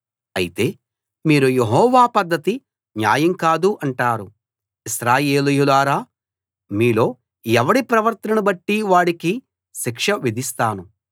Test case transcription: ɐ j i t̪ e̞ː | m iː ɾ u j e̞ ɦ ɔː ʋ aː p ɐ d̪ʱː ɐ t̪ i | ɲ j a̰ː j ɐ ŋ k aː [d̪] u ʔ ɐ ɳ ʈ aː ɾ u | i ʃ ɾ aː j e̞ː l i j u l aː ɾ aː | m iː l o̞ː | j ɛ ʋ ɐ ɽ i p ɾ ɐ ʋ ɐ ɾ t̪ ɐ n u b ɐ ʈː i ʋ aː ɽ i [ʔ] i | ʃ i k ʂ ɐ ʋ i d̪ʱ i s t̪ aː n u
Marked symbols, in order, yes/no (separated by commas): yes, no